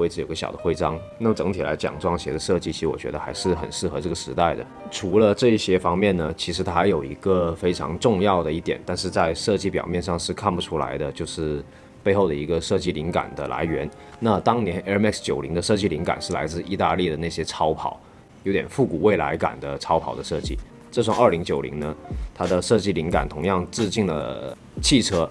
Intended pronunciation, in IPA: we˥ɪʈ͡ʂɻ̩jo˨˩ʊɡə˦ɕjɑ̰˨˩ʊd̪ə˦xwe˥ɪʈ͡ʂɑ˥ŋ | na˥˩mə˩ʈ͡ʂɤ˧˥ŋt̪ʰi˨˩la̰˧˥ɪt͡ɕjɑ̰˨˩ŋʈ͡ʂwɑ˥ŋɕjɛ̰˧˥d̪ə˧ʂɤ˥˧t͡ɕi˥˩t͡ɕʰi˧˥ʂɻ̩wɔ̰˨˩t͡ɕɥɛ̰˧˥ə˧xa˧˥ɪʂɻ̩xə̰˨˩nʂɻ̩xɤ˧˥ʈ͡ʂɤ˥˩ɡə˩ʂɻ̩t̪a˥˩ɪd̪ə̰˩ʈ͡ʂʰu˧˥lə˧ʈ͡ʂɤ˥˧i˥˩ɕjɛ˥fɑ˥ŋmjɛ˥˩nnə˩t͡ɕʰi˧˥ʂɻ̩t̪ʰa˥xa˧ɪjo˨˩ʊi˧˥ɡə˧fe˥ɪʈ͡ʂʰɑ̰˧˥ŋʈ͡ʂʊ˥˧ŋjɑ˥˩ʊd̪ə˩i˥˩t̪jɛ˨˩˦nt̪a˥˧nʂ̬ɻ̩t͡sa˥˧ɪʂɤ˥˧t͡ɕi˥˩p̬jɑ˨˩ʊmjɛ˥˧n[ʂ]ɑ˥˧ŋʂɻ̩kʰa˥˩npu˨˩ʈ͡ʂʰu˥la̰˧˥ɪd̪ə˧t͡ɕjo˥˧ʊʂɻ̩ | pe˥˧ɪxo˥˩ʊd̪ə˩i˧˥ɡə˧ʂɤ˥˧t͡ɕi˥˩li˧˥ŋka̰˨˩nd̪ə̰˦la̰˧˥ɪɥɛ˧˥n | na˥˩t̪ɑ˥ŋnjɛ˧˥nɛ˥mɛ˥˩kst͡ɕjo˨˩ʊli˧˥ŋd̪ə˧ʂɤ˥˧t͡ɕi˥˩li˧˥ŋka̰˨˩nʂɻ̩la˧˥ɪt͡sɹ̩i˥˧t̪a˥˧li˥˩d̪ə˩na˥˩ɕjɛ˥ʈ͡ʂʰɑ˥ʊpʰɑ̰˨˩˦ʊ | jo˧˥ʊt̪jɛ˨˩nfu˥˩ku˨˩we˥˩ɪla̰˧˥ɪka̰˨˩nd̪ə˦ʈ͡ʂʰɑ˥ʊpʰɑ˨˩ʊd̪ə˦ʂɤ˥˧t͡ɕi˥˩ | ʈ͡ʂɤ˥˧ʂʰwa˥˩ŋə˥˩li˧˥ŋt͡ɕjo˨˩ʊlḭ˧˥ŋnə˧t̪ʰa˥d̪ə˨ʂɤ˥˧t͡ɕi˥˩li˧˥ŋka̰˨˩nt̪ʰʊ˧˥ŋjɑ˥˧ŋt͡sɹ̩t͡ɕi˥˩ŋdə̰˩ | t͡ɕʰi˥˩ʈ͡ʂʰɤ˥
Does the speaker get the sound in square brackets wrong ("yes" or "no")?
no